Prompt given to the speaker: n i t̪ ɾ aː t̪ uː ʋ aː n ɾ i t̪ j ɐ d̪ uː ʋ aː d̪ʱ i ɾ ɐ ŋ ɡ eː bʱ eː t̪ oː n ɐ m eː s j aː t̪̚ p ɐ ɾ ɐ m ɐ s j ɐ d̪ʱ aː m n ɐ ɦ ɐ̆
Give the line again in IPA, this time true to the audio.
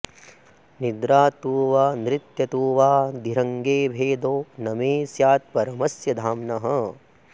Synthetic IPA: n i d̪ ɾ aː t̪ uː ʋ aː n ɾ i t̪ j ɐ t̪ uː ʋ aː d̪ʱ i ɾ ɐ ŋ ɡ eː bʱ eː d̪ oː n ɐ m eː s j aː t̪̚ p ɐ ɾ ɐ m ɐ s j ɐ d̪ʱ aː m n ɐ ɦ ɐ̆